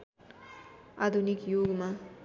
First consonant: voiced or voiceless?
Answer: voiced